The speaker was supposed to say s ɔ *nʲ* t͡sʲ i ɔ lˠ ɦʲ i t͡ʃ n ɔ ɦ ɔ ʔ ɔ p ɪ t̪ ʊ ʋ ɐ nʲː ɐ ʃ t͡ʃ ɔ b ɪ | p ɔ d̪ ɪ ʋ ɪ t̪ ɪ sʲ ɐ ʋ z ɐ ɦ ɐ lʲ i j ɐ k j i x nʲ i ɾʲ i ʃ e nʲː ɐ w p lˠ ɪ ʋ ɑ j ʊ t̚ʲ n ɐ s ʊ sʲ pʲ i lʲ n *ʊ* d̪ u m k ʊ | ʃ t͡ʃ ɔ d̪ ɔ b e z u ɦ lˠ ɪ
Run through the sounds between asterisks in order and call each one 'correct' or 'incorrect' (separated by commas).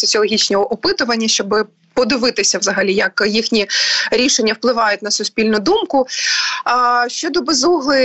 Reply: incorrect, correct